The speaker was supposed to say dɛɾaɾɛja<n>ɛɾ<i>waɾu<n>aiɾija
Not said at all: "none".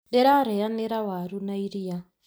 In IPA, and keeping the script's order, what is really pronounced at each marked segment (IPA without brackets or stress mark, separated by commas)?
n, a, n